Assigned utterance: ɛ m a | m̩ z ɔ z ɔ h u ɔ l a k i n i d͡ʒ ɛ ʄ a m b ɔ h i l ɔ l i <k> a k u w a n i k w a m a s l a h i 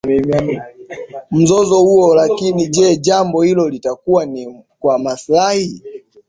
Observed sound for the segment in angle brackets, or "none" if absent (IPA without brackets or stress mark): t